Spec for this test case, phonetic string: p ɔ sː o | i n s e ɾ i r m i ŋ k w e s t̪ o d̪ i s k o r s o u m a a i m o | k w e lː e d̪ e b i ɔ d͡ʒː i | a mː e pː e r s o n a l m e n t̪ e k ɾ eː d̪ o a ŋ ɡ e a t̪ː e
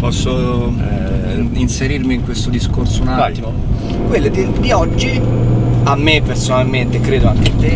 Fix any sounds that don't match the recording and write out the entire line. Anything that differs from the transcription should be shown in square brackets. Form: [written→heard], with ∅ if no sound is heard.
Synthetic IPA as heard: p ɔ sː o | i n s e ɾ i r m i ŋ k w e s t̪ o d̪ i s k o r s o u [m→n] a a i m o | k w e lː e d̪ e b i ɔ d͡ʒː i | a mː e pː e r s o n a l m e n t̪ e k ɾ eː d̪ o a ŋ [ɡ→k] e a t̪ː e